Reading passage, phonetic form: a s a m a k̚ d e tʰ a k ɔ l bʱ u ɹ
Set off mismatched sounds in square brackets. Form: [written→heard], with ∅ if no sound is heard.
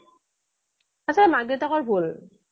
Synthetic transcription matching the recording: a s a m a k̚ d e [tʰ→t] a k ɔ [l→ɹ] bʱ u [ɹ→l]